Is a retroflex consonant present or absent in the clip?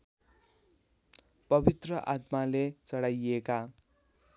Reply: present